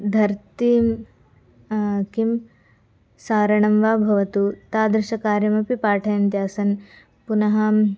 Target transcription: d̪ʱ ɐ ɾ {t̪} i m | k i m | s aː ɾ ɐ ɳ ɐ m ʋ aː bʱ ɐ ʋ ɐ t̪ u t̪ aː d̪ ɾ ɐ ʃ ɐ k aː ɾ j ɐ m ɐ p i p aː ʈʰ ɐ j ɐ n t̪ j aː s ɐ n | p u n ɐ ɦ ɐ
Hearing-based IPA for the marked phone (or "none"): t̪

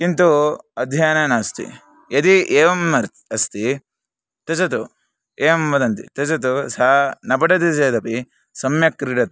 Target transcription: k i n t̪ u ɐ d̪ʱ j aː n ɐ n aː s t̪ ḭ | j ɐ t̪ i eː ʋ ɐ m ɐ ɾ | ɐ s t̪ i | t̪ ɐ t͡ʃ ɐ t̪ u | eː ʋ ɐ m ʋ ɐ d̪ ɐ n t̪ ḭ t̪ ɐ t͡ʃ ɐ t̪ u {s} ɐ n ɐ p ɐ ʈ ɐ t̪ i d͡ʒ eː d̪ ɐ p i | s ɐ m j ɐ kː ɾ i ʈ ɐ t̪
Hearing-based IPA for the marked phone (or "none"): s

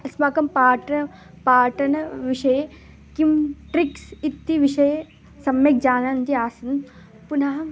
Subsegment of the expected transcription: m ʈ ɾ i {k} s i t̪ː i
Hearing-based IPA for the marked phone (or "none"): k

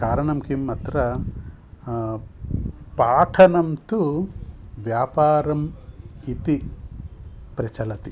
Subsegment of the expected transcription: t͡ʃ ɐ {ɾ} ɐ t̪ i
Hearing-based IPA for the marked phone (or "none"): l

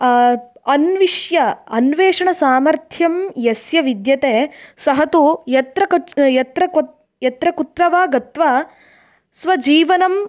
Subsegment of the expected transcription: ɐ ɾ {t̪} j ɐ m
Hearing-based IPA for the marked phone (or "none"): t̪ʰ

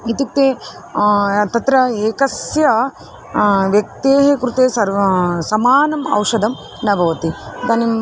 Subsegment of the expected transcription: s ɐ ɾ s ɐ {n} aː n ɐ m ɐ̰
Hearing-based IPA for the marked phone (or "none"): m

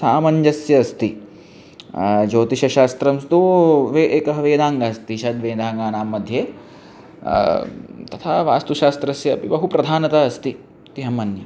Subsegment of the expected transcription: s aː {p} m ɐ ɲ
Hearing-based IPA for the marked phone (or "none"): none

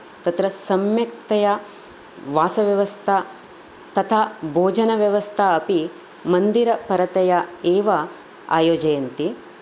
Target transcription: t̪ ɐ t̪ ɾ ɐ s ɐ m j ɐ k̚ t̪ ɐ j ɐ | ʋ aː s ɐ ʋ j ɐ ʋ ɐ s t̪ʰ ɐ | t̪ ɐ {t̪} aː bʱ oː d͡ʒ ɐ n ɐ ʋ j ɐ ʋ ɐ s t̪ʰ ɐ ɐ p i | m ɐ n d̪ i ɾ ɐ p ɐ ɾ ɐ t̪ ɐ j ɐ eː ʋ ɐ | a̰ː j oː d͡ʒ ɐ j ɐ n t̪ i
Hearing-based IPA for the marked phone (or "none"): t̪ʰ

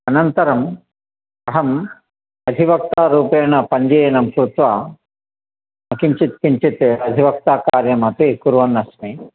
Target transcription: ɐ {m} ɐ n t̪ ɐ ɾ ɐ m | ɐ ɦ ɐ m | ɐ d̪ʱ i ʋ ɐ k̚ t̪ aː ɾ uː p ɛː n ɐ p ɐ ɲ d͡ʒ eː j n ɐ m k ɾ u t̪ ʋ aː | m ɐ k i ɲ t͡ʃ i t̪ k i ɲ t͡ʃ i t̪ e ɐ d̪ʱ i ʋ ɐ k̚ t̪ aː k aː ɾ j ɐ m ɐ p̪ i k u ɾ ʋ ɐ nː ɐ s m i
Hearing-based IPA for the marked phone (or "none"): n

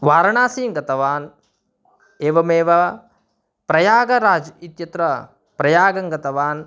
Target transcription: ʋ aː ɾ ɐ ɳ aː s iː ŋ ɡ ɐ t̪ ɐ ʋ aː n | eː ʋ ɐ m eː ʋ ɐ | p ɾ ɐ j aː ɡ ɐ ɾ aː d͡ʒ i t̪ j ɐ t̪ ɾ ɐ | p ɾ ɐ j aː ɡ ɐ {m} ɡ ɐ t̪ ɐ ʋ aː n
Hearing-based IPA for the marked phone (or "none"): ŋ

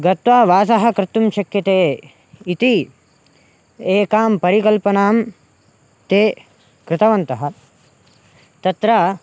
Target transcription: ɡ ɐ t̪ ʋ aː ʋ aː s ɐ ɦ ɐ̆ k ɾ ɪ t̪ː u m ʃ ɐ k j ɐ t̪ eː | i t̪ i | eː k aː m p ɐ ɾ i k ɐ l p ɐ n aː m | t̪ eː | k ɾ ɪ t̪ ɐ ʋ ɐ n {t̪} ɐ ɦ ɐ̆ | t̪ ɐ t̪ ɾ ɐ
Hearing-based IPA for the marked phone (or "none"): t̪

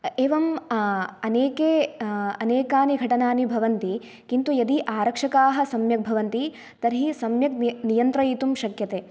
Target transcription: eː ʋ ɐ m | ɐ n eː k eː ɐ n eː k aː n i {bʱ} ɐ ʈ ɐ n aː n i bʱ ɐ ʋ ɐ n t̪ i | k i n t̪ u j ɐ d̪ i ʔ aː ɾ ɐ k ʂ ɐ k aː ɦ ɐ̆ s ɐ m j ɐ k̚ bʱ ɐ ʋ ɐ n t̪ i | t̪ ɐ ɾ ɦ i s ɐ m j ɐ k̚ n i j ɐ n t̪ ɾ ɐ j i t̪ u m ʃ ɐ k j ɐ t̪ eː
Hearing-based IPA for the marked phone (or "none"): ɡʱ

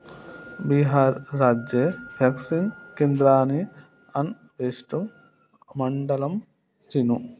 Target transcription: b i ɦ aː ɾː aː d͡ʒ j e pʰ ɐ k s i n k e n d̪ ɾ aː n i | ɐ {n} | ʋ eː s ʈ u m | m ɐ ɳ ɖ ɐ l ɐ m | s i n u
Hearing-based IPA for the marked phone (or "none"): n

